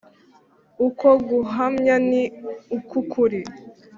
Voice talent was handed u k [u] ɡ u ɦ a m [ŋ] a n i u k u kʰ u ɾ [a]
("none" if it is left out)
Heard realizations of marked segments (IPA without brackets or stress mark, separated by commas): o, ɲ, i